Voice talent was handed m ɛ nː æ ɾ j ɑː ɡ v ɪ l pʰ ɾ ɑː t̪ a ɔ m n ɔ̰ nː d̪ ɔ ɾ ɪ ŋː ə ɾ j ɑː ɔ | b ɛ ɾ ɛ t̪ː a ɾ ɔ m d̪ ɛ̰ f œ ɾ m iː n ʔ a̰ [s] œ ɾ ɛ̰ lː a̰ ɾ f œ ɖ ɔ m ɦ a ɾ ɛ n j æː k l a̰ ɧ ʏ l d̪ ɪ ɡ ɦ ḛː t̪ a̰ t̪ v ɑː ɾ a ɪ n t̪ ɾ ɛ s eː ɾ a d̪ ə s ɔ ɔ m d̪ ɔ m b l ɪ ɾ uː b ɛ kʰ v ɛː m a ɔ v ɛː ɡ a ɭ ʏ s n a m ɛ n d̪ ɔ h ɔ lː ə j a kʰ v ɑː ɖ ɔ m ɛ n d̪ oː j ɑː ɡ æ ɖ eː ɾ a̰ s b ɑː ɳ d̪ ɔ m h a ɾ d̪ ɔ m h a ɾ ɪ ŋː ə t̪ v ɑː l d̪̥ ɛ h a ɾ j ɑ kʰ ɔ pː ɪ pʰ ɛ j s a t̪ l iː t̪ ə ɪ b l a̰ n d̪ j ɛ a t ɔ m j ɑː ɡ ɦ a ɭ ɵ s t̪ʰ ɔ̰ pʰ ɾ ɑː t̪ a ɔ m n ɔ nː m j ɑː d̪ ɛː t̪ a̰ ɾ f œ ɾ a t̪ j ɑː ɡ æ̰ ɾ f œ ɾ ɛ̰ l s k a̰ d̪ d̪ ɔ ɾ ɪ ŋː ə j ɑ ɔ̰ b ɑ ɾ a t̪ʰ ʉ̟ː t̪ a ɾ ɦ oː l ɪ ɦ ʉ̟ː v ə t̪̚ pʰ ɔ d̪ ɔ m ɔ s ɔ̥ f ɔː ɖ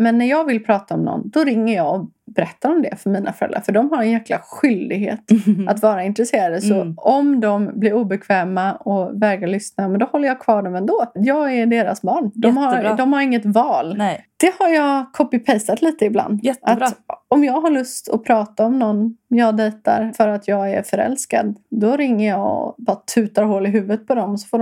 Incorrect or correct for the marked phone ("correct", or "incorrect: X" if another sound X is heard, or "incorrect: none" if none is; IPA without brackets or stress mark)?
incorrect: f